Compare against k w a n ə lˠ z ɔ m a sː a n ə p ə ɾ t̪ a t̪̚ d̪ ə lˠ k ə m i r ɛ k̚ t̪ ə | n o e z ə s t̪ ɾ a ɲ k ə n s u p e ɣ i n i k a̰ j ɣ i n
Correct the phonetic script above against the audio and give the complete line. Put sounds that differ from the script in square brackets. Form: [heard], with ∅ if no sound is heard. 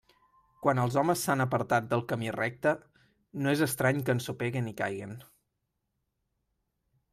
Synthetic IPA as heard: k w a n ə lˠ z ɔ m [ə] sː a n ə p ə ɾ t̪ a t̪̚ d̪ ə lˠ k ə m i r ɛ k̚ t̪ ə | n o e z ə s t̪ ɾ a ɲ k ə n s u p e ɣ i n i k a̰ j ɣ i n